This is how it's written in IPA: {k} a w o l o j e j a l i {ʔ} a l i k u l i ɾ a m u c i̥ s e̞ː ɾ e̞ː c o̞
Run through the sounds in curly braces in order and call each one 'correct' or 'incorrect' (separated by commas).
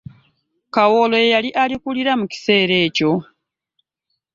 correct, correct